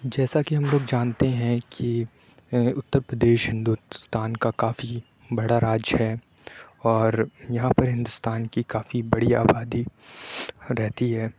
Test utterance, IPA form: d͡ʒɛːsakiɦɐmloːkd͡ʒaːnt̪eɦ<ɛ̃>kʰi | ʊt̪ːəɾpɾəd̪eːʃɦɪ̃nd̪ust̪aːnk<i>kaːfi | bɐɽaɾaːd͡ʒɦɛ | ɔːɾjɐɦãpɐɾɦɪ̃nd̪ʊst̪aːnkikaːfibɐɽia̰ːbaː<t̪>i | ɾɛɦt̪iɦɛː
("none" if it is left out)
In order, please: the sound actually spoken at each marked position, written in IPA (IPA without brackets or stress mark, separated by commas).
ɛ̃, a, d̪